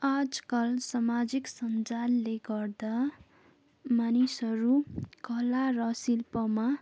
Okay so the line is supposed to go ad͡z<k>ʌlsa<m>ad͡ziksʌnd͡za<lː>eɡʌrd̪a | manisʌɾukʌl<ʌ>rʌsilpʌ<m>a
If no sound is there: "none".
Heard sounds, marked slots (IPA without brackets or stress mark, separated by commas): k, m, lː, a, m